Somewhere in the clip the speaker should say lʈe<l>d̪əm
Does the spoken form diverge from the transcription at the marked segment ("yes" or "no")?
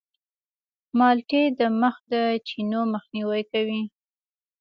yes